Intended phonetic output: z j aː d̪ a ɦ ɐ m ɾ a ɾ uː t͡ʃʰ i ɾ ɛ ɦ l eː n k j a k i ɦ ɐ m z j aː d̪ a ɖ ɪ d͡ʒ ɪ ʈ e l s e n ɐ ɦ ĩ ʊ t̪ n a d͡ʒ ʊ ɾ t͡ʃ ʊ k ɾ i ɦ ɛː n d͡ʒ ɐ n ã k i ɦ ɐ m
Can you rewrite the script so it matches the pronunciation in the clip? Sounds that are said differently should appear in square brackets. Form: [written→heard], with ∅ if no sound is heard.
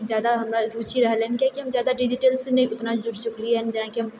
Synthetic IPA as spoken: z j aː d̪ a ɦ ɐ m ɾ a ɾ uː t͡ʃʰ i ɾ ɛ ɦ l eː n k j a k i ɦ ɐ m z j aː d̪ a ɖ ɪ d͡ʒ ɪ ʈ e l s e n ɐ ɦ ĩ ʊ t̪ n a d͡ʒ ʊ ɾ t͡ʃ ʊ k [ɾ→l] i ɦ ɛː n d͡ʒ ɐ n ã k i ɦ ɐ m